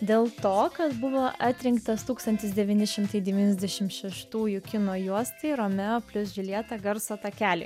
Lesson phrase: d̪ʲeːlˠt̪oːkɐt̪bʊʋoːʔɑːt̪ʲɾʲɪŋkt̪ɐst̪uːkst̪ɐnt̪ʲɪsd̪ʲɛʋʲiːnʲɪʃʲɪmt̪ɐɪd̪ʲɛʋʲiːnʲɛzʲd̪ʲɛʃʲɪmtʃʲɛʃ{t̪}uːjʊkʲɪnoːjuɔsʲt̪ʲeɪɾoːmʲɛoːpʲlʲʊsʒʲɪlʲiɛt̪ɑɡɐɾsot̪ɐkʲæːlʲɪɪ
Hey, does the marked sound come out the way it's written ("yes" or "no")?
yes